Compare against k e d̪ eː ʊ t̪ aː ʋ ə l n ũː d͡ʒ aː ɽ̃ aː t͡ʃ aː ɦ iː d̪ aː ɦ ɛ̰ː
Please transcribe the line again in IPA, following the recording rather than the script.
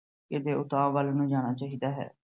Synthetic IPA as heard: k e d̪ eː ʊ t̪ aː ʋ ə l n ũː d͡ʒ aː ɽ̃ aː t͡ʃ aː ɦ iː d̪ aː ɦ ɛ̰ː